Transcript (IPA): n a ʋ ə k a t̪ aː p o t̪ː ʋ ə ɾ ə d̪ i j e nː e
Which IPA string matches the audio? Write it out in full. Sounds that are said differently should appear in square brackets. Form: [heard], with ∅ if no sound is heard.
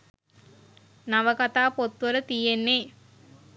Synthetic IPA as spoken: n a ʋ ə k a t̪ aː p o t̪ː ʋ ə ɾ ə [t̪] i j e nː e